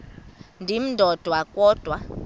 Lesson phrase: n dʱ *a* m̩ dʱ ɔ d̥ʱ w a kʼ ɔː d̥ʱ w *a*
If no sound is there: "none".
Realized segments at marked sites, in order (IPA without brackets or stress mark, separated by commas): i, a